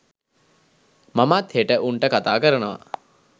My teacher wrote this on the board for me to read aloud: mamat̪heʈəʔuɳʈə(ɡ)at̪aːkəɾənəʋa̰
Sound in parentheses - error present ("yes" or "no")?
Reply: yes